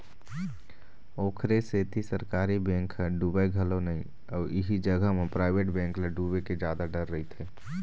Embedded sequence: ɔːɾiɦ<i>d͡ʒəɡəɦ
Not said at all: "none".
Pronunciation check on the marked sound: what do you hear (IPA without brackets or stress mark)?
i